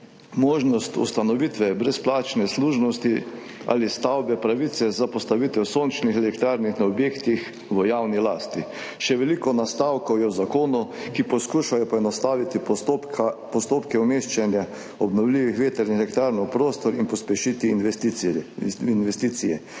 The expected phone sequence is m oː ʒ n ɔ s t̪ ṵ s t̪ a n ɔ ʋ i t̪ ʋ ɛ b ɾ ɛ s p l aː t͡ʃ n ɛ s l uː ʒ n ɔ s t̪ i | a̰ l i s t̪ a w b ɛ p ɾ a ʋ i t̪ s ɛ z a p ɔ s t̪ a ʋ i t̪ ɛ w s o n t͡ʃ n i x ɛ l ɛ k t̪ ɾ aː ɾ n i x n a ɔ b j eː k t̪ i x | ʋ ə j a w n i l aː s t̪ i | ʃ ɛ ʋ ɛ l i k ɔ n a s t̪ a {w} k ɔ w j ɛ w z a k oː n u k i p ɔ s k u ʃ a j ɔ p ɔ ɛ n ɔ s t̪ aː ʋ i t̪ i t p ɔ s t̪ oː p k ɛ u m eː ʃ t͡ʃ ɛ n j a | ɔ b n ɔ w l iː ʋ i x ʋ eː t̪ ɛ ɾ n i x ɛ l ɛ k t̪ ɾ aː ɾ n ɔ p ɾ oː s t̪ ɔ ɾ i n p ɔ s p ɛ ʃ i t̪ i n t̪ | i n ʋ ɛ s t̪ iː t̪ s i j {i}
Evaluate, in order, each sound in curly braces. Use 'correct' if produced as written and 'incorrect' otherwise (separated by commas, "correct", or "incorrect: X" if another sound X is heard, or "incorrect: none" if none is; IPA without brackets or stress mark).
correct, incorrect: ɛ